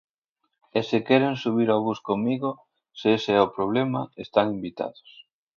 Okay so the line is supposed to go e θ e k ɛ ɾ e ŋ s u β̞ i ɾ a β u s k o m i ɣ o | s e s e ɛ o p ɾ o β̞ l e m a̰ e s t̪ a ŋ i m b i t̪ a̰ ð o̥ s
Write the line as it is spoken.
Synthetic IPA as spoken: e s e k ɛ ɾ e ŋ s u β̞ i ɾ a β u s k o m i ɣ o | s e s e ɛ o p ɾ o β̞ l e m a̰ e s t̪ a ŋ i m b i t̪ a̰ ð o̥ s